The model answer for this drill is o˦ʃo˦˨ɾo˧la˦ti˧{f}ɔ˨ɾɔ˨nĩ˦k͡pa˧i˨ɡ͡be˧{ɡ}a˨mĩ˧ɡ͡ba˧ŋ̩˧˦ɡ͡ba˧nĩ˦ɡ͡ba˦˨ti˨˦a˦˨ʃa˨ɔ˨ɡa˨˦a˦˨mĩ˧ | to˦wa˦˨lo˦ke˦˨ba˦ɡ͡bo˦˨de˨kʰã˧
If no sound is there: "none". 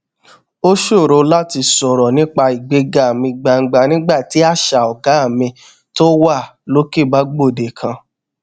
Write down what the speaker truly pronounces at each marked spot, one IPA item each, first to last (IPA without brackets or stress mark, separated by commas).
s, ɡ